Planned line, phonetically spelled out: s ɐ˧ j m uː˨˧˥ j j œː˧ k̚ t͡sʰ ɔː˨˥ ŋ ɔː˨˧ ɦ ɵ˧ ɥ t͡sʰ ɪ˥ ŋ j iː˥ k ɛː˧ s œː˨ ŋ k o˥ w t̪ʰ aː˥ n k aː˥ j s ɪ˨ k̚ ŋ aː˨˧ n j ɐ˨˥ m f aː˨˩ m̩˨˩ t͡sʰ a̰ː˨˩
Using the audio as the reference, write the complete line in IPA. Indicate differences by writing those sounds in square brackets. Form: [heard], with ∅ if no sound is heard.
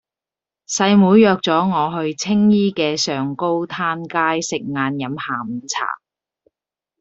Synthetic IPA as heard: s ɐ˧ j m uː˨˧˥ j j œː˧ k̚ [t͡s] ɔː˨˥ ŋ ɔː˨˧ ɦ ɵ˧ ɥ t͡sʰ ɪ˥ ŋ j iː˥ k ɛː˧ s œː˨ ŋ k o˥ w t̪ʰ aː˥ n k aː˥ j s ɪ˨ k̚ ŋ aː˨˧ n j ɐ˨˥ m [h] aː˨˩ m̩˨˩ t͡sʰ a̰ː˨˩